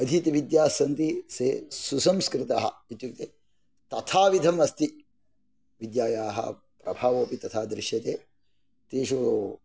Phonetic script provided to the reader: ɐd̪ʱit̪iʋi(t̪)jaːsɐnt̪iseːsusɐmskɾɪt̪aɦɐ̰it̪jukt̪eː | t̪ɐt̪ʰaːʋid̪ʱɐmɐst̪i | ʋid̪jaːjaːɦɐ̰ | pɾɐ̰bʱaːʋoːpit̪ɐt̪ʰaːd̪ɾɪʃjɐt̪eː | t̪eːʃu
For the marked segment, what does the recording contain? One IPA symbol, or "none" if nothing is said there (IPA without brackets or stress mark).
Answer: d̪